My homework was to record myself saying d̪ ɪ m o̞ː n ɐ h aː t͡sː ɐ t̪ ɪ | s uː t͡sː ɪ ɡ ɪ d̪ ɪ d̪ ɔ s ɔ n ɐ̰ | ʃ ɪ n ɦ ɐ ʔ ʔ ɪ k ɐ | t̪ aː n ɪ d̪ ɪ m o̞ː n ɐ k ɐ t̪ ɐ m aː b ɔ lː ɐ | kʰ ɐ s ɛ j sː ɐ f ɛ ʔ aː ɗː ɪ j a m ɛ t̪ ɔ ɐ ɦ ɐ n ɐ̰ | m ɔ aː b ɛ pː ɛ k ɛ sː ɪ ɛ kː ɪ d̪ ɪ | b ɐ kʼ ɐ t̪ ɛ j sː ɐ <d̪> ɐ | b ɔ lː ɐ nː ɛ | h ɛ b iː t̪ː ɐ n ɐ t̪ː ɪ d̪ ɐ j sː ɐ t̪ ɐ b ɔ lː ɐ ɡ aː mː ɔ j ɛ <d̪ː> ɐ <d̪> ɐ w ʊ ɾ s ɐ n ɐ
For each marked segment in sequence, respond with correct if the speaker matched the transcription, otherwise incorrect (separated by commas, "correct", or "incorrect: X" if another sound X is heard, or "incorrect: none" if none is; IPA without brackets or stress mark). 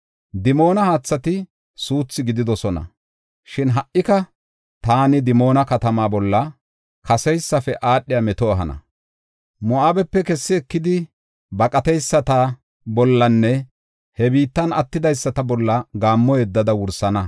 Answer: incorrect: t̪, correct, correct